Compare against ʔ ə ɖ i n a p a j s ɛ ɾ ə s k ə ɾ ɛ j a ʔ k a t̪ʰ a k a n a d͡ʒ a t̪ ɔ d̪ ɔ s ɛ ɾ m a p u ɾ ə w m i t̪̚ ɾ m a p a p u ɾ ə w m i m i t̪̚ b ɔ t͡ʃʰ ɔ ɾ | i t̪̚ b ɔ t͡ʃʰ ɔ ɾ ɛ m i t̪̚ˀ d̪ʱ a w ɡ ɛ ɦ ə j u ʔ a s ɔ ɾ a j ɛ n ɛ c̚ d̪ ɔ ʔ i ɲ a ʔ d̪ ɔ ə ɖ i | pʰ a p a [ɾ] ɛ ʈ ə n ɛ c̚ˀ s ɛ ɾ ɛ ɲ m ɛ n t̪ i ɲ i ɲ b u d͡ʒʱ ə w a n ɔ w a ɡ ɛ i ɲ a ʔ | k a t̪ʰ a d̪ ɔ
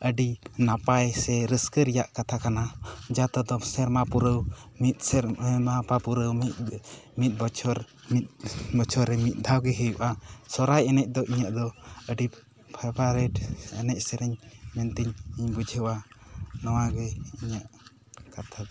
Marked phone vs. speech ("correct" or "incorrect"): correct